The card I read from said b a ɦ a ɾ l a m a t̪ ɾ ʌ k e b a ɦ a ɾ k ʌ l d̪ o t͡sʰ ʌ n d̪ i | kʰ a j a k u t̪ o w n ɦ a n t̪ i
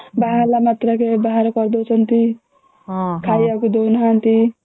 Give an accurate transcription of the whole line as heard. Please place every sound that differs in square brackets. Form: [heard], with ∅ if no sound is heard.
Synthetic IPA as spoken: b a ɦ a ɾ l a m a t̪ ɾ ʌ k e b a ɦ a ɾ k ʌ [ɾ] d̪ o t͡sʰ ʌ n [t̪] i | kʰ a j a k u [d̪] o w n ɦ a n t̪ i